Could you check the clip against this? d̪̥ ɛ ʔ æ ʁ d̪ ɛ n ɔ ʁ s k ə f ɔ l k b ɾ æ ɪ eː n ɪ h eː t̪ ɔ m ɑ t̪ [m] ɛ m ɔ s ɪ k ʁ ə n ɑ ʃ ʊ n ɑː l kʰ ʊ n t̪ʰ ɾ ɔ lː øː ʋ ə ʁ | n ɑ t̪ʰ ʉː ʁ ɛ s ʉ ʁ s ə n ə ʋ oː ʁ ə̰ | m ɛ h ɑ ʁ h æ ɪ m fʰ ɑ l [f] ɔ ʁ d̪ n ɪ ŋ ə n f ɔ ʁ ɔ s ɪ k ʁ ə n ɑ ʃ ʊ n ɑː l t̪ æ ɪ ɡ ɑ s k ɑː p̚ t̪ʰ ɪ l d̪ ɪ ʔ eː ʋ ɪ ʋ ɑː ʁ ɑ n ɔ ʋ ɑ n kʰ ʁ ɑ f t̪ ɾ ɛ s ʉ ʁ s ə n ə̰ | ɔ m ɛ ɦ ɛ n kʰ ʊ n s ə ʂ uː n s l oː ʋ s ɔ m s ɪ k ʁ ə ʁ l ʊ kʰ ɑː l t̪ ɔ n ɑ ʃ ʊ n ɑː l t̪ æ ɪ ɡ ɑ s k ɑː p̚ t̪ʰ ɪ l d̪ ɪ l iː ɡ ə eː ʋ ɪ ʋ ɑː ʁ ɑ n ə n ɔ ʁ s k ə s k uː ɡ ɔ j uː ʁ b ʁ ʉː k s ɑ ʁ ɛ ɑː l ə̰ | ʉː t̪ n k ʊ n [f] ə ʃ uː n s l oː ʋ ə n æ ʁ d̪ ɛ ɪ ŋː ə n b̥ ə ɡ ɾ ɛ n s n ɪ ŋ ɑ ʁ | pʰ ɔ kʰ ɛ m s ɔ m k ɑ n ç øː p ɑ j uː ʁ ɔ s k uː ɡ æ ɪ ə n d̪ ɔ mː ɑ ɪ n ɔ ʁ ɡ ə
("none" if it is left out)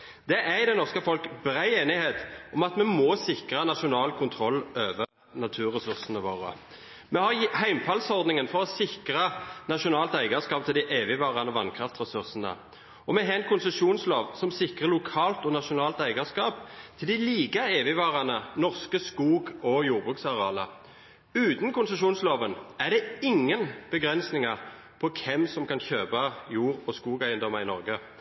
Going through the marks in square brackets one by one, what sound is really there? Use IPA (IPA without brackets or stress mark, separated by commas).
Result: m, s, s